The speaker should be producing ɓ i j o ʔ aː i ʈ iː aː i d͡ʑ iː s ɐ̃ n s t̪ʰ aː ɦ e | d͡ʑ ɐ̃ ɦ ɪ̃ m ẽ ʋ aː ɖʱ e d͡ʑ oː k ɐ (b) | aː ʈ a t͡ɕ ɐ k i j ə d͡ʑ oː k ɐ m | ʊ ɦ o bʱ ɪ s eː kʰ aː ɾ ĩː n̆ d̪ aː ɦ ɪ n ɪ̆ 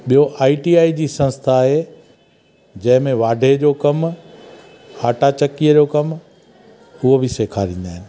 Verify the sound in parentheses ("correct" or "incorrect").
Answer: incorrect